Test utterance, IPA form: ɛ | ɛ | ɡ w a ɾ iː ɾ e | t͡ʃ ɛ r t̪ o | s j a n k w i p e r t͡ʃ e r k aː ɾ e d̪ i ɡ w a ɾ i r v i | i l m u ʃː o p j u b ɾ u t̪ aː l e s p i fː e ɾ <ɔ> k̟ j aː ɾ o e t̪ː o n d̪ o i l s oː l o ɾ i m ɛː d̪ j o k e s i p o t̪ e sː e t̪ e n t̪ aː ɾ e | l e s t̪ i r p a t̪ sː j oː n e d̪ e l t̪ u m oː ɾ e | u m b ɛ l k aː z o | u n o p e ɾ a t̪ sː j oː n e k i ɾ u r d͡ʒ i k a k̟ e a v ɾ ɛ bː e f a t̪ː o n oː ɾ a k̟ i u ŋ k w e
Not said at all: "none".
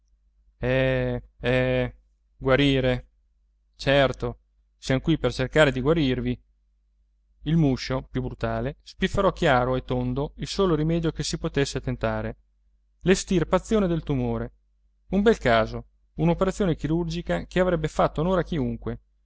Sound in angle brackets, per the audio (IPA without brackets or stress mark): ɔ